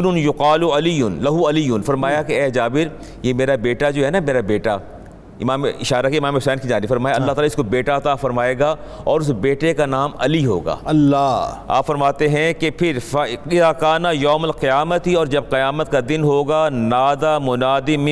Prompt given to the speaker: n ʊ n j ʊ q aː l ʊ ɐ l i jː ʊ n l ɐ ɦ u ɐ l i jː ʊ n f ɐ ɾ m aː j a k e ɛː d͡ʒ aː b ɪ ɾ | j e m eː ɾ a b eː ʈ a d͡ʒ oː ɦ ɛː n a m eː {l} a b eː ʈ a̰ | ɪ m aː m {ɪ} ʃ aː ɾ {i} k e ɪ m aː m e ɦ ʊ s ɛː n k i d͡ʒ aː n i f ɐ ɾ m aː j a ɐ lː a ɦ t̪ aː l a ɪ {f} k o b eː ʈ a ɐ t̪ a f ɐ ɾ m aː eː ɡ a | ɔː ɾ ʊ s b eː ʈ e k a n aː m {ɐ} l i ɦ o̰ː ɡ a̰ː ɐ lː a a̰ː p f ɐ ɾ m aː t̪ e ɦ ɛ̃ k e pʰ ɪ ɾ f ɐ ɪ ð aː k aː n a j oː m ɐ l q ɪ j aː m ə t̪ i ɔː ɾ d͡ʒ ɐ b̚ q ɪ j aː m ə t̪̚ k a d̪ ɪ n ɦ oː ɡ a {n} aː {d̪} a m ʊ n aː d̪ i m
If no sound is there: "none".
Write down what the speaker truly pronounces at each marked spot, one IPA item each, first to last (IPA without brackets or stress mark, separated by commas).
ɾ, ɪ, a, s, ɐ, n, d̪